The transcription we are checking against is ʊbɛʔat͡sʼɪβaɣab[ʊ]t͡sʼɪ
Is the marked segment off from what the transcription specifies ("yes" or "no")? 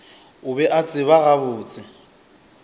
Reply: yes